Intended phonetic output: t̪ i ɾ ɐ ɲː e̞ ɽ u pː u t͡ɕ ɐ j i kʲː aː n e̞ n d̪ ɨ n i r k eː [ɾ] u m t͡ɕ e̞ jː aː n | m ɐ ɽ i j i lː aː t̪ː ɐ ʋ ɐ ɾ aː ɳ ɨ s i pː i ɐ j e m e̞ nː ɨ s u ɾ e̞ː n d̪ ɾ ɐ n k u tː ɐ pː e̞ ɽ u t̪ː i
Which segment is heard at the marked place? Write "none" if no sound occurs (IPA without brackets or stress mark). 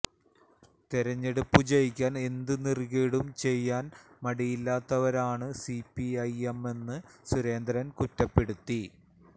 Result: ɽ